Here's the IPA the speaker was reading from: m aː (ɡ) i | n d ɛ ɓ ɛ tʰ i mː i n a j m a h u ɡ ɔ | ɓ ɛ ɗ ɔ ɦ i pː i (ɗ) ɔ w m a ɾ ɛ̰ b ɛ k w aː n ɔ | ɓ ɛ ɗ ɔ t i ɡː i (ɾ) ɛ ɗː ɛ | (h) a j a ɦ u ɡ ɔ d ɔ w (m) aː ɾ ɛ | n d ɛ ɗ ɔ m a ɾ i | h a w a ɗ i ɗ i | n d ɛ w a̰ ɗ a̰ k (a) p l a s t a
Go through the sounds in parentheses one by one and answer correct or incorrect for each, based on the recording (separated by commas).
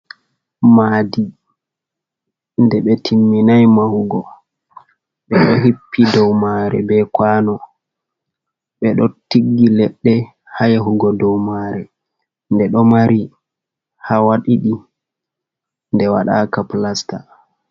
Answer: incorrect, incorrect, incorrect, correct, correct, correct